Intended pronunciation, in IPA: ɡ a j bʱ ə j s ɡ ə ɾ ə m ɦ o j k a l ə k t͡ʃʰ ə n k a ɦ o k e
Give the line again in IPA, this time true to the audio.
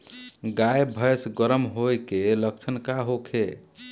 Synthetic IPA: ɡ a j bʱ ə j s ɡ ə ɾ ə m ɦ o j k e l ə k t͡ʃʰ ə n k a ɦ o kʰ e